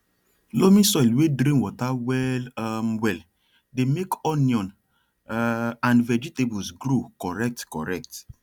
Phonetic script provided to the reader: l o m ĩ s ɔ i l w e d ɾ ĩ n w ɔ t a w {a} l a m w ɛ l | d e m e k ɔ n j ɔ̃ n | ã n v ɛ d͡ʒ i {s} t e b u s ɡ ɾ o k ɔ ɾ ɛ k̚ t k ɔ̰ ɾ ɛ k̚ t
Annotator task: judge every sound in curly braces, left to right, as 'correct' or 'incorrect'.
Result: incorrect, incorrect

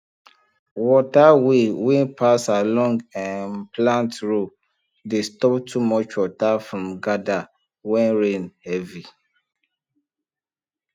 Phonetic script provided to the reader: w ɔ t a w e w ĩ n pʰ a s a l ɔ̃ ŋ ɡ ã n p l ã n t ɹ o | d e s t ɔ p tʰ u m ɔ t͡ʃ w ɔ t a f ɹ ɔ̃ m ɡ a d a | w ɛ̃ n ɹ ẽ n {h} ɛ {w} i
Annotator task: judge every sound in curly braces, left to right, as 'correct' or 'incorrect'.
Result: correct, incorrect

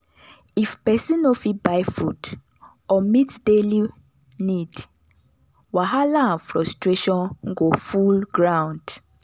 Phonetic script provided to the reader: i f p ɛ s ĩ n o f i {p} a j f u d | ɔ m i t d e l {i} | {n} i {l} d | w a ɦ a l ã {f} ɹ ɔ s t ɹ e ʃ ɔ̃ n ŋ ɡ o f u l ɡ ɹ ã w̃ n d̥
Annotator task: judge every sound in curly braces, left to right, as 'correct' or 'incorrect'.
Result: incorrect, correct, correct, incorrect, correct

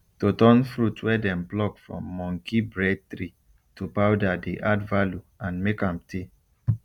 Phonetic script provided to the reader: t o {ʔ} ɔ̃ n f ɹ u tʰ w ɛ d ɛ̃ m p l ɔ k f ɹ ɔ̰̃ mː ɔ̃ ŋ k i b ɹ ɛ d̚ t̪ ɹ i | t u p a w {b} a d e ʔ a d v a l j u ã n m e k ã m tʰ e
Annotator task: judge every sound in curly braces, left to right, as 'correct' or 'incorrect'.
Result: incorrect, incorrect

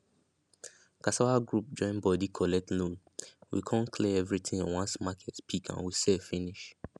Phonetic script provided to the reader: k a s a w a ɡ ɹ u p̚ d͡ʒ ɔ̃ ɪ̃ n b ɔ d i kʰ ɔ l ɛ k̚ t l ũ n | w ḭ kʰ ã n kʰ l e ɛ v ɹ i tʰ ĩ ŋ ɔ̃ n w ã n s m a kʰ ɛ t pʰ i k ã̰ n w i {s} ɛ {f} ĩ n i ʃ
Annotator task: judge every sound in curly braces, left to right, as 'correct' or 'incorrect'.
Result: correct, correct

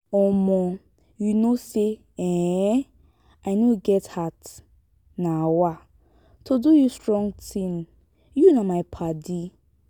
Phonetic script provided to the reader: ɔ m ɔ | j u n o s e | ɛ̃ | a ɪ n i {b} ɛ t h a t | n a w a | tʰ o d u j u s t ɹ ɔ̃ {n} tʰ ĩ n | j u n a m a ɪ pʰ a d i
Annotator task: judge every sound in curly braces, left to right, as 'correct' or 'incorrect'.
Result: incorrect, incorrect

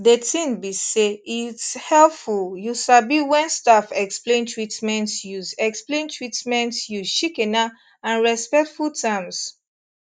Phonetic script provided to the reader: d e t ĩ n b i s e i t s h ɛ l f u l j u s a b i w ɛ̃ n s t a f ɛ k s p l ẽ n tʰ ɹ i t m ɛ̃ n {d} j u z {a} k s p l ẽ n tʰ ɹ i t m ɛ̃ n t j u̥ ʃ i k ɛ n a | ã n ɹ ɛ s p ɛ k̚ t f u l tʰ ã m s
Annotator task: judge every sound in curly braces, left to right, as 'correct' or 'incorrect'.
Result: incorrect, incorrect

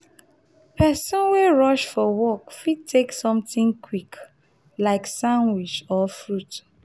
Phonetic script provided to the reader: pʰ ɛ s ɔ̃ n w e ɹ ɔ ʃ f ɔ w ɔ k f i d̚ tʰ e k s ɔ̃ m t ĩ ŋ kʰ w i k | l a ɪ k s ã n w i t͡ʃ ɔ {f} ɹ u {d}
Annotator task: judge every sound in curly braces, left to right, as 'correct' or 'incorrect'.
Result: correct, incorrect

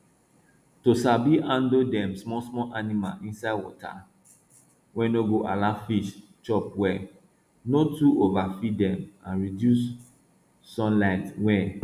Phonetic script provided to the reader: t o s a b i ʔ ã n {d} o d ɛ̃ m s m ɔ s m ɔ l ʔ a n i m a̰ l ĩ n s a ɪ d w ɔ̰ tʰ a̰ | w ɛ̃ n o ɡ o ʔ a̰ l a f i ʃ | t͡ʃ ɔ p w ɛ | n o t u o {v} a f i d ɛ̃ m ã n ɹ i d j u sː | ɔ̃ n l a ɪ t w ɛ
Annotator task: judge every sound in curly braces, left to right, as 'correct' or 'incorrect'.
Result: correct, correct

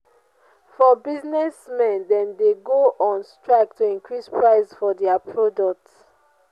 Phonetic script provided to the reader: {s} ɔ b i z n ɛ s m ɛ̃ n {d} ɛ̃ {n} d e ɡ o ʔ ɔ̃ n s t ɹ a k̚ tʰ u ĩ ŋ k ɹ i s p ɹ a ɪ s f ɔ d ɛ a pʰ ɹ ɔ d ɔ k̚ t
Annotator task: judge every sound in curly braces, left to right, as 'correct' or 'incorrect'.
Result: incorrect, correct, correct

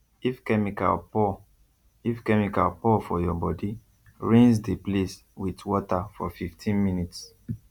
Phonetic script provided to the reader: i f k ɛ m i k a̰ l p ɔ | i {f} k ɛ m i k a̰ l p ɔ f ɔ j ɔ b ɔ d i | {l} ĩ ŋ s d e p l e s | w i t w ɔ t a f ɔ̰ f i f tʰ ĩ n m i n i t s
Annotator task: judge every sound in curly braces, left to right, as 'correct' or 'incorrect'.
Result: correct, incorrect

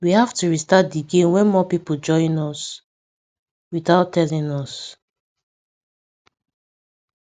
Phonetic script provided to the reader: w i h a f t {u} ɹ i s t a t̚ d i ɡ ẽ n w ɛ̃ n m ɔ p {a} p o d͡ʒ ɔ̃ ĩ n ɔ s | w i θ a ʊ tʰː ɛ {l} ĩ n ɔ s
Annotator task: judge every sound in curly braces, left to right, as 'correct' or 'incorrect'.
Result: correct, incorrect, correct

